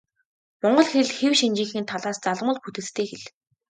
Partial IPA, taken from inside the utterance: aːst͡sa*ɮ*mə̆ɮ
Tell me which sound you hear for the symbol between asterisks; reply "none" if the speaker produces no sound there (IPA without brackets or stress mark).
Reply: ɮ